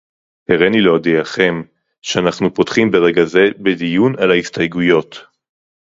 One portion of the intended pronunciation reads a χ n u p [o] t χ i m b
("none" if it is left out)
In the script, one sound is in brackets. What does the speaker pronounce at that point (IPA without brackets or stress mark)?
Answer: o